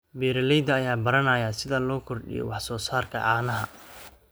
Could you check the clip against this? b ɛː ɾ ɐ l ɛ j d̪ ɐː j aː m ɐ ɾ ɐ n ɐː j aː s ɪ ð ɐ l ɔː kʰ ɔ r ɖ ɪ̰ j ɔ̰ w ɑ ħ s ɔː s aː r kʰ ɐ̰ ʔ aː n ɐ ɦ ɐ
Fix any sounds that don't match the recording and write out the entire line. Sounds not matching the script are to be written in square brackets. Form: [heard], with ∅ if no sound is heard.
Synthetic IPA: b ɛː ɾ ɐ l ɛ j d̪ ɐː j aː [b] ɐ ɾ ɐ n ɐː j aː s ɪ ð ɐ l ɔː kʰ ɔ r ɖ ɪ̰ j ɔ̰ w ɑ ħ s ɔː s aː r kʰ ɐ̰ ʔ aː n ɐ ɦ ɐ